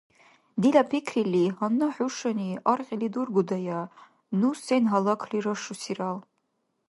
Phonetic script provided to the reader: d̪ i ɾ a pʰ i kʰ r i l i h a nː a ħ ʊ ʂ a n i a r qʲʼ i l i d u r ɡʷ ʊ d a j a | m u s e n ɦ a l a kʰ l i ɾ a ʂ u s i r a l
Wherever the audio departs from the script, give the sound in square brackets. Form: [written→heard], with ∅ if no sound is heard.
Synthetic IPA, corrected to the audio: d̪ i [ɾ→l] a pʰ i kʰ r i l i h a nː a ħ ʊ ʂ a n i a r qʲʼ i l i d u r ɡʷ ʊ d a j a | [m→n] u s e n ɦ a l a kʰ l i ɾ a ʂ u s i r a l